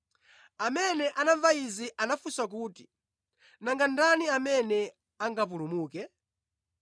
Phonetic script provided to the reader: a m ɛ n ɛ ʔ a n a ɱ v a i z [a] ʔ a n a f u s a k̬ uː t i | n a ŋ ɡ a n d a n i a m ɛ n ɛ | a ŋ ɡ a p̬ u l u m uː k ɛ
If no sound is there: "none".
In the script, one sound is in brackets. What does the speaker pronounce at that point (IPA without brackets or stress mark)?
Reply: i